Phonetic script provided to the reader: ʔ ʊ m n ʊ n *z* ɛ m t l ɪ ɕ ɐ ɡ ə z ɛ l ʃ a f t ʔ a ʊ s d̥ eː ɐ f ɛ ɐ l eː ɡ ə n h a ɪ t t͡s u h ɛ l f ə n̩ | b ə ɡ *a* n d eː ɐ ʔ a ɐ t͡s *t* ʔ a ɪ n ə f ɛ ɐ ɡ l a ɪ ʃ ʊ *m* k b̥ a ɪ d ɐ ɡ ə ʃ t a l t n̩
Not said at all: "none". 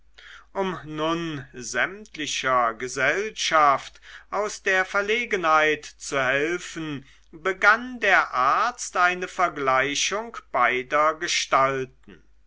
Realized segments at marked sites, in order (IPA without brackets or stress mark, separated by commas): z, a, t, ŋ